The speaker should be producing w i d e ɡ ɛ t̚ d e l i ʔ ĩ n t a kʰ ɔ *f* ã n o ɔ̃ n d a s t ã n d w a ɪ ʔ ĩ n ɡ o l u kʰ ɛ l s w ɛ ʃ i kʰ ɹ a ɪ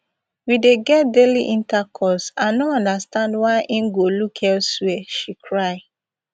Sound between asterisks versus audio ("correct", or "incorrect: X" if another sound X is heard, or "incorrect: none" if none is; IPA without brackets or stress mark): incorrect: s